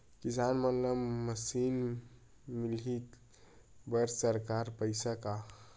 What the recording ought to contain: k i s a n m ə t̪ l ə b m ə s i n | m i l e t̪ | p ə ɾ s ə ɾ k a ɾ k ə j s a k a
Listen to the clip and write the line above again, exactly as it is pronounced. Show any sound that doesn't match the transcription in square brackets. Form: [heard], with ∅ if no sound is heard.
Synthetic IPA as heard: k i s a n m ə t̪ l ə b m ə s i n | m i l [i] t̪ | [b] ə ɾ s ə ɾ k a ɾ [p] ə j s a k a